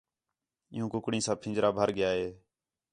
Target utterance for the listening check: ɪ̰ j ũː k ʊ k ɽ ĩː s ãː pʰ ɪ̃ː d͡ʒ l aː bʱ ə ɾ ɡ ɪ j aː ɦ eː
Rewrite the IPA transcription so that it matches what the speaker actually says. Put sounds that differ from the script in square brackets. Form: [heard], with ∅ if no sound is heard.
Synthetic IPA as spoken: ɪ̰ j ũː k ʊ k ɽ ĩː s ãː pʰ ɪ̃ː d͡ʒ [ɾ] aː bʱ ə ɾ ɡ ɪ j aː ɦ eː